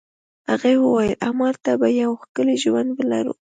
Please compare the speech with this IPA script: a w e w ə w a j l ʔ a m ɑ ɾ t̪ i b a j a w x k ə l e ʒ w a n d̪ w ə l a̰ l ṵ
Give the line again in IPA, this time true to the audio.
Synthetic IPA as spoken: a ɣ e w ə w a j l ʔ a m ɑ ɾ t̪ a b a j a w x k ə l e ʒ w a n d̪ w ə l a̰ ɾ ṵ